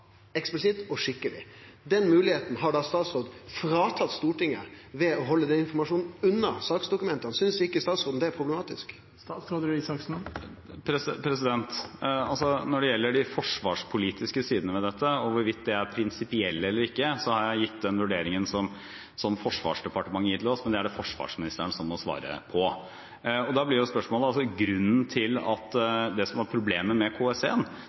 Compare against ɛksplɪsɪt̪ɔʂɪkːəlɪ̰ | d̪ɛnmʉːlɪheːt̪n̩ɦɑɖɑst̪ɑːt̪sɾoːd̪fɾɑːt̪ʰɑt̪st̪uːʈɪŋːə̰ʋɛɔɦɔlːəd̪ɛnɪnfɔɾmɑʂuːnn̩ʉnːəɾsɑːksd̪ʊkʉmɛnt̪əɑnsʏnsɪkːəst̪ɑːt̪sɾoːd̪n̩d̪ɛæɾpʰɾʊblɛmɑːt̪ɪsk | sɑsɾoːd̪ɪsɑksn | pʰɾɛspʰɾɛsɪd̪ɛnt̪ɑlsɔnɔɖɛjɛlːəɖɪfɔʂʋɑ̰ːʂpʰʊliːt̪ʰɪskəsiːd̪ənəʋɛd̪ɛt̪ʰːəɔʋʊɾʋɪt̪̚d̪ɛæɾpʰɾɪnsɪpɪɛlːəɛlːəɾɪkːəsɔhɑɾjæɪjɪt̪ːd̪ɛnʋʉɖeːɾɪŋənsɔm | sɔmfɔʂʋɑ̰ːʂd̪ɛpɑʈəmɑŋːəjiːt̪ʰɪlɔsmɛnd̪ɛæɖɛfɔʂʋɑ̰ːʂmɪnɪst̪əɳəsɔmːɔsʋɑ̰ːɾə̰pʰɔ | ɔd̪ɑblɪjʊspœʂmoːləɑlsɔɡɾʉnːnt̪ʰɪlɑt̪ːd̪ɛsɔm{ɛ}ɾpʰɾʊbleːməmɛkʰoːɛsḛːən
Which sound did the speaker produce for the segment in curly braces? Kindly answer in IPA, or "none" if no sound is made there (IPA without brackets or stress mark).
æ